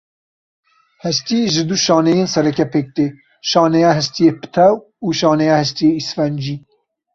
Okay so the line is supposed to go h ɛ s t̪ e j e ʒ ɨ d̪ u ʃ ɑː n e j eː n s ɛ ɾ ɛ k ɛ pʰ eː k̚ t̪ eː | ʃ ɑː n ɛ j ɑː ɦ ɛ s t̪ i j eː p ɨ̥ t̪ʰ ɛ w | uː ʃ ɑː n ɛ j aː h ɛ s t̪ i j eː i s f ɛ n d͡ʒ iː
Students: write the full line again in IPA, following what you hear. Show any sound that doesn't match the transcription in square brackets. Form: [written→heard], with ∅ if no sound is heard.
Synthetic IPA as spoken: h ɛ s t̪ [e→i] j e ʒ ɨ d̪ u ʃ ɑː n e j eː n s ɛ ɾ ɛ k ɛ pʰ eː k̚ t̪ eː | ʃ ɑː n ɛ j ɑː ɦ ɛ s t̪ i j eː p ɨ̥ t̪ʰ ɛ w | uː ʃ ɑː n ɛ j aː h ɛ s t̪ i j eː i s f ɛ n d͡ʒ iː